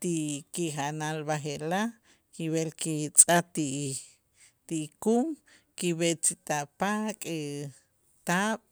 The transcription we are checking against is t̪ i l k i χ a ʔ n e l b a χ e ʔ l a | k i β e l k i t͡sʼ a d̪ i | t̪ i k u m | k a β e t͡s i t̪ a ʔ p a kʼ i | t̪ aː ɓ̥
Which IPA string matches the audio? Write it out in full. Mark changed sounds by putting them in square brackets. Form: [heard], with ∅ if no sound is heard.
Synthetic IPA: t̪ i [∅] k i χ a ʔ n [a] l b a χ e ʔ l a | k i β e l k i t͡sʼ a [t̪] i | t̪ i k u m | k [i] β e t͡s i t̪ a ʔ p a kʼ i | t̪ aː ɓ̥